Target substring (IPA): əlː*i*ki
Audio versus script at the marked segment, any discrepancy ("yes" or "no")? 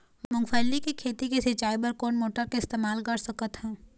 no